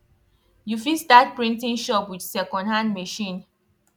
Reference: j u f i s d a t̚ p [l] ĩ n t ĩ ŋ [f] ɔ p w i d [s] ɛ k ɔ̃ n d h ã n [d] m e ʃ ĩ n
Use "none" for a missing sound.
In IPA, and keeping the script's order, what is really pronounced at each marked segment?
ɹ, ʃ, s, d

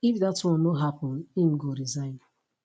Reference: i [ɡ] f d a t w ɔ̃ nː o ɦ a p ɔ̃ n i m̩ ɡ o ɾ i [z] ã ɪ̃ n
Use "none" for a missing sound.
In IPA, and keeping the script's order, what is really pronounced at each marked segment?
none, z

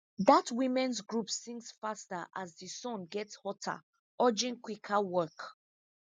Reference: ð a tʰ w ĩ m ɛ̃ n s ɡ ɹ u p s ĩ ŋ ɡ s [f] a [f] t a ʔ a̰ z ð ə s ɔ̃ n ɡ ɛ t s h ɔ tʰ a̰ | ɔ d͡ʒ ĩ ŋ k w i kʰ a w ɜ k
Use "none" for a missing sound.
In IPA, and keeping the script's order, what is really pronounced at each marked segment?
f, s

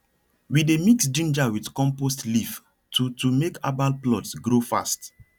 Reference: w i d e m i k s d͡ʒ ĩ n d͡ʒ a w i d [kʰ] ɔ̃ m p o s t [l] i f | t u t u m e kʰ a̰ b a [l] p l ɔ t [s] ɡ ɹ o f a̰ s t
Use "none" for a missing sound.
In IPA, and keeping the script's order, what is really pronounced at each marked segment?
k, l, l, s

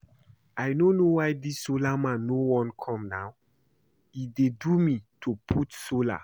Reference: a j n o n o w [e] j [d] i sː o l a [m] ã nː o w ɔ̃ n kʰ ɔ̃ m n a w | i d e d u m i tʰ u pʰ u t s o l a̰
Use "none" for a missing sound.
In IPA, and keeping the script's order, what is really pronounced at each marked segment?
a, d, m

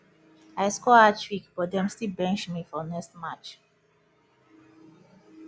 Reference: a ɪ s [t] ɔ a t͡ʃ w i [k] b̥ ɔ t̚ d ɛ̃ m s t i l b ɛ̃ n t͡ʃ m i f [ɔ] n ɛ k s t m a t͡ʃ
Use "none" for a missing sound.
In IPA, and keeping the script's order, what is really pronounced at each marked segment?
k, k, ɔ

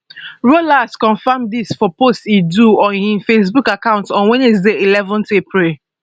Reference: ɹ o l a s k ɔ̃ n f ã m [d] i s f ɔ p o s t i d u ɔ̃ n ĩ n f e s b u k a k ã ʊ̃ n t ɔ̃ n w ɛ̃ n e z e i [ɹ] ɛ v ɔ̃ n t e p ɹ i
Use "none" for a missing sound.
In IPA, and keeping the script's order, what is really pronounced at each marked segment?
d, l

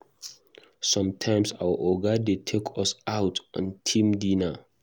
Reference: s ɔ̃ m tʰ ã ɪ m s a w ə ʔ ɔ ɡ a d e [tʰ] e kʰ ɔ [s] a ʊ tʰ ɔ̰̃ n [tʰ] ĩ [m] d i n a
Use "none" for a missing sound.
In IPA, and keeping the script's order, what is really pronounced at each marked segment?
tʰ, s, tʰ, m

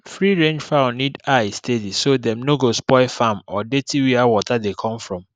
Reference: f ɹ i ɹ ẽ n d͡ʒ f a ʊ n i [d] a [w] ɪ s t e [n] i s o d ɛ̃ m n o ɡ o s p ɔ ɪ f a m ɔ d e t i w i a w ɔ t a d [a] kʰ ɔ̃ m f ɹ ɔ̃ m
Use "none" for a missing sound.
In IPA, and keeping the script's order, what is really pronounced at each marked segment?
d, none, d, e

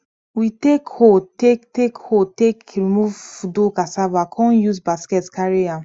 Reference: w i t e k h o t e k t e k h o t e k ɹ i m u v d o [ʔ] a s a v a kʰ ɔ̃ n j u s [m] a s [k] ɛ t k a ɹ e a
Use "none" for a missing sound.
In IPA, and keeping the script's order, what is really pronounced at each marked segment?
k, b, k

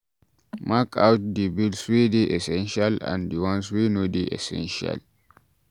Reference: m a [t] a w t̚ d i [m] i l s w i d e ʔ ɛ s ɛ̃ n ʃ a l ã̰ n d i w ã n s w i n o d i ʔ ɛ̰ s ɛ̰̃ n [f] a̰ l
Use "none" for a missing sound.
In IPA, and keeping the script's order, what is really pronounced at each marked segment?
k, b, ʃ

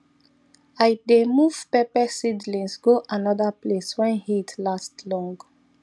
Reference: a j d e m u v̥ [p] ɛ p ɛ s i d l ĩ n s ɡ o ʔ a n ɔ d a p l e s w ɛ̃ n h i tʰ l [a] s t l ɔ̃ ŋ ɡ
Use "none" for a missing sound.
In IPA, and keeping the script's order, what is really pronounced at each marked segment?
p, a

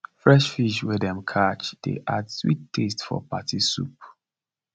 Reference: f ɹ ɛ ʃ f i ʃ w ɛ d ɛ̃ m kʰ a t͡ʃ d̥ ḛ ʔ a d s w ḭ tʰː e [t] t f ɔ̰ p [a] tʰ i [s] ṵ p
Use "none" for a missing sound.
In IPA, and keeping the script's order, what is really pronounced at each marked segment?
s, a, s

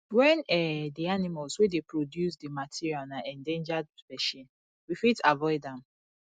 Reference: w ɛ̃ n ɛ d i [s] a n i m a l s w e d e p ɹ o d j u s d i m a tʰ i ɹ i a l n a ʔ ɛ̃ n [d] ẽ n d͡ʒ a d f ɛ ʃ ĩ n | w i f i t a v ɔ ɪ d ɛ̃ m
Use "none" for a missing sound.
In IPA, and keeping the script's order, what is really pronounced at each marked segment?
none, d

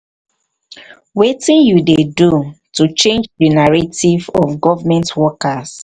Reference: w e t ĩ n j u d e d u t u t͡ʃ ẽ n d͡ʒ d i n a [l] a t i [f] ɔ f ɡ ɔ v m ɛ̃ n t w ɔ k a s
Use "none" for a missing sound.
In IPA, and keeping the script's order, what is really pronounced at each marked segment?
ɹ, v

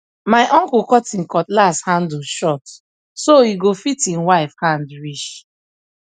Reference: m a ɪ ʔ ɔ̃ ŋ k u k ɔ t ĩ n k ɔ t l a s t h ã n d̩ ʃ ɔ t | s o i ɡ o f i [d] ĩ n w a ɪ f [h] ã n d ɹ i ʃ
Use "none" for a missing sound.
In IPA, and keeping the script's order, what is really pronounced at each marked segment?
t, h

